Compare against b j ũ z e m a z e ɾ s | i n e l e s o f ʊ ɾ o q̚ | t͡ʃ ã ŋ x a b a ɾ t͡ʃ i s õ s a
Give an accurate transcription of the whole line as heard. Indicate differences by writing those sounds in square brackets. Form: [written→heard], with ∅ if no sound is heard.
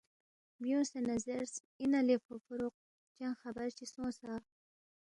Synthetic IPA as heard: b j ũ [z→s] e [m→n] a z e ɾ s | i n [e→a] l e [s→f] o f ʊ ɾ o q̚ | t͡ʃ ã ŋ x a b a ɾ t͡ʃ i s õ s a